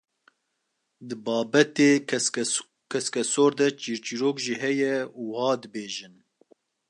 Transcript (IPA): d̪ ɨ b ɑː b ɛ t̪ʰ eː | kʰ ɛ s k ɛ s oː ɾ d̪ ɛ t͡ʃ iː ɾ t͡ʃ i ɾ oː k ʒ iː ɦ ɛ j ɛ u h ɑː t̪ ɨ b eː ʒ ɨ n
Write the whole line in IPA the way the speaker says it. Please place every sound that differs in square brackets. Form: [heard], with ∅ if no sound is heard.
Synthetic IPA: d̪ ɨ b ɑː b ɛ [t̪] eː | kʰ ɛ s k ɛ s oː ɾ d̪ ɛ t͡ʃ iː ɾ t͡ʃ i ɾ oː k ʒ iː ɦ ɛ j ɛ u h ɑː [d̪] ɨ b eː ʒ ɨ n

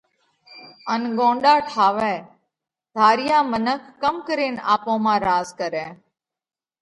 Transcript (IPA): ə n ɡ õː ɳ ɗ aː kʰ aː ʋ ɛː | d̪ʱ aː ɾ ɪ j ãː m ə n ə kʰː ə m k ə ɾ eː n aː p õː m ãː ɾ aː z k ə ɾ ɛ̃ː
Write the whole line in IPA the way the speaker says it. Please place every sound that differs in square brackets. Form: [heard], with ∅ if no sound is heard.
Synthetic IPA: ə n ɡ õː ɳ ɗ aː [ʈʰ] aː ʋ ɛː | d̪ʱ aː ɾ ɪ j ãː m ə n ə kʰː ə m k ə ɾ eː n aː p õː m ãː ɾ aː z k ə ɾ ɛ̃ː

